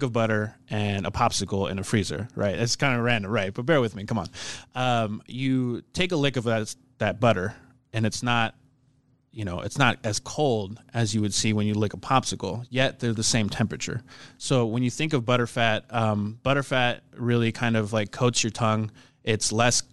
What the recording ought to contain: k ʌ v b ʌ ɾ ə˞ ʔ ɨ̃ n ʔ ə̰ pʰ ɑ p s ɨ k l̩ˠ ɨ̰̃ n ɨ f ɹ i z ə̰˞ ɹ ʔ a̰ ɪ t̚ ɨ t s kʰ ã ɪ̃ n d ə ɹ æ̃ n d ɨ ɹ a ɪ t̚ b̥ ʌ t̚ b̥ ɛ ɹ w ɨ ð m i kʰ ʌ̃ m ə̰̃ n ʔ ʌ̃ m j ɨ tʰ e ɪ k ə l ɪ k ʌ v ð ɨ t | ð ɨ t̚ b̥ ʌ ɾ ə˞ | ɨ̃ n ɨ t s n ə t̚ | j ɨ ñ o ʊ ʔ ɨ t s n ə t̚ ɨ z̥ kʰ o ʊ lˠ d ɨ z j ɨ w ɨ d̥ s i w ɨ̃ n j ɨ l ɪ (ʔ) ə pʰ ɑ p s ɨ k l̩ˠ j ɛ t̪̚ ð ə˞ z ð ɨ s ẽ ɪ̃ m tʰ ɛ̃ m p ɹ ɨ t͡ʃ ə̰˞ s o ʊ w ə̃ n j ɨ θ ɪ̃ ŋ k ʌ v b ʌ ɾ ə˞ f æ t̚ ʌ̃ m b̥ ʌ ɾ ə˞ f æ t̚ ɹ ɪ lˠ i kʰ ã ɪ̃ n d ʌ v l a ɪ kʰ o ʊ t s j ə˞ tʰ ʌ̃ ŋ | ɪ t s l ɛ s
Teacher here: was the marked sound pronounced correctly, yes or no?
no